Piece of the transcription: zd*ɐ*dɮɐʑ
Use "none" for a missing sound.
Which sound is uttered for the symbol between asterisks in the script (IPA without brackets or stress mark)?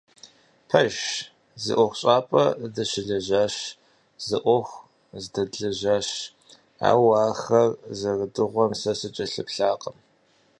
ɐ